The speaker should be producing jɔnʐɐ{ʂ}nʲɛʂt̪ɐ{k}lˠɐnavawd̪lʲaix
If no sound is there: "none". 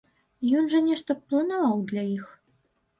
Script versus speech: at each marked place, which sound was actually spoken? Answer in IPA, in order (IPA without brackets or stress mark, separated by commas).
none, p